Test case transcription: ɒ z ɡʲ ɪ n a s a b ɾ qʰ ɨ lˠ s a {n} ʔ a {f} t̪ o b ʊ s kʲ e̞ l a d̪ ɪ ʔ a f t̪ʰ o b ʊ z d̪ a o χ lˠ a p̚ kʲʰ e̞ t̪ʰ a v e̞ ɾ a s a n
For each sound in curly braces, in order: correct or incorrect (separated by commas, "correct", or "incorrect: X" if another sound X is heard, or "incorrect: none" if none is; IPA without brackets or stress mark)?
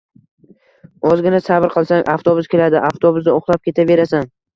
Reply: incorrect: ŋ, correct